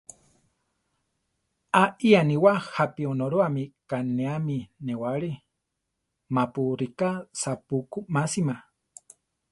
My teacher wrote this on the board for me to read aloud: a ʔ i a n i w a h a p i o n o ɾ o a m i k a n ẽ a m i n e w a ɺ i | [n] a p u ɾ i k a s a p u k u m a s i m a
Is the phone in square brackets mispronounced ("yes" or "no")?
yes